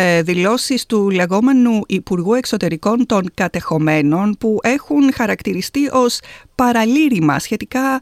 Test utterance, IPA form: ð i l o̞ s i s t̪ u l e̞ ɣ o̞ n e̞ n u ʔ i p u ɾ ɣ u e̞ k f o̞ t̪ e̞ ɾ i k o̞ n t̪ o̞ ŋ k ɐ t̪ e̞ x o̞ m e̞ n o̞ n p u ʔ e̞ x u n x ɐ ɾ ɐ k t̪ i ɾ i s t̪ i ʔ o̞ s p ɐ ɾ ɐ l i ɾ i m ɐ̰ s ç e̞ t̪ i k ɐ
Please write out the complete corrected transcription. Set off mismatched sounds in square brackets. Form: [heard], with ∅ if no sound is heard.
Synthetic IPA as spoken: ð i l o̞ s i s t̪ u l e̞ ɣ o̞ [m] e̞ n u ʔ i p u ɾ ɣ u e̞ k [s] o̞ t̪ e̞ ɾ i k o̞ n t̪ o̞ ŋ k ɐ t̪ e̞ x o̞ m e̞ n o̞ n p u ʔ e̞ x u n x ɐ ɾ ɐ k t̪ i ɾ i s t̪ i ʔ o̞ s p ɐ ɾ ɐ l i ɾ i m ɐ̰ s ç e̞ t̪ i k ɐ